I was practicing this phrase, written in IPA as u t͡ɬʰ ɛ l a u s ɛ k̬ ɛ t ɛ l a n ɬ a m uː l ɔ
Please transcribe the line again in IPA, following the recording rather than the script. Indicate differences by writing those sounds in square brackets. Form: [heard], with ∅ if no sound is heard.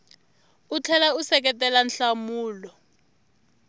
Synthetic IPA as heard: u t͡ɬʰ ɛ l a u s ɛ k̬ ɛ t ɛ l a n ɬ a m uː l ɔ